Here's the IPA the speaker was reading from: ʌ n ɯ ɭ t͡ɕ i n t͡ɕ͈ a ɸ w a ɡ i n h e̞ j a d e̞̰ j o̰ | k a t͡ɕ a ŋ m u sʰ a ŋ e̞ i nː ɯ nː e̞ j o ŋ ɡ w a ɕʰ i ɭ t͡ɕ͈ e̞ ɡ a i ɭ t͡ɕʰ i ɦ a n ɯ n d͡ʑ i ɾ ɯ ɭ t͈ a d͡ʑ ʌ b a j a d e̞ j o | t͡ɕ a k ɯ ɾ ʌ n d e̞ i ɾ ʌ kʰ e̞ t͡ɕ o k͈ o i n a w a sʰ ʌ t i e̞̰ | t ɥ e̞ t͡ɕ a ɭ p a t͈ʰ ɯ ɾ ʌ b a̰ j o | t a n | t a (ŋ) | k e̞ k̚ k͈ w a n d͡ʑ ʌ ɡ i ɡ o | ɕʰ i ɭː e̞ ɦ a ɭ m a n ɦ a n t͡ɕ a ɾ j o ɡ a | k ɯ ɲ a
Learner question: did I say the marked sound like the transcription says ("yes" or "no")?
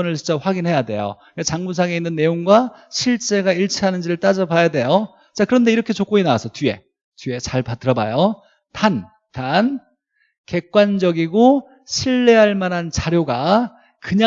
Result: no